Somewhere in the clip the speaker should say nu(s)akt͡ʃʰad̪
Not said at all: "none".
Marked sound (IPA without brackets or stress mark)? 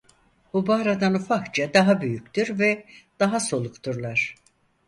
f